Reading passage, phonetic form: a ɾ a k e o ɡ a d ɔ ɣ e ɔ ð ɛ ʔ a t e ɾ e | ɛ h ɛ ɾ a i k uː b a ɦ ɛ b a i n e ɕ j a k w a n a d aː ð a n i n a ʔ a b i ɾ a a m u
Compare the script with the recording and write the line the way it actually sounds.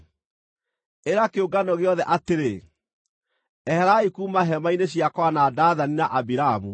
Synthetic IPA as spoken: e ɾ a k e o ɡ a n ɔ ɣ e ɔ ð ɛ ʔ a t e ɾ e | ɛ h ɛ ɾ a i k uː m a ɦ ɛ m a i n e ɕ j a k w a n a d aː ð a n i n a ʔ a b i ɾ a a m u